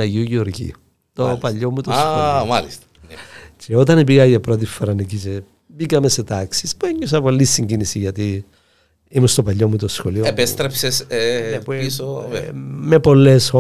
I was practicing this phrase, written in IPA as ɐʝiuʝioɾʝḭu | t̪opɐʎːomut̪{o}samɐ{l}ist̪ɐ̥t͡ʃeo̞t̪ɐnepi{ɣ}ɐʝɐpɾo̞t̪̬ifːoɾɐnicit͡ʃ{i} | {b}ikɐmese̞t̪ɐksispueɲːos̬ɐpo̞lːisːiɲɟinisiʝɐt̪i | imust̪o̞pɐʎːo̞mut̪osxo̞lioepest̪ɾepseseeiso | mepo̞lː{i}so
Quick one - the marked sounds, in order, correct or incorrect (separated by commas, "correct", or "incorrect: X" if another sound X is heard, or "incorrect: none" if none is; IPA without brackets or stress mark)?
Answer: correct, correct, correct, incorrect: e, correct, incorrect: e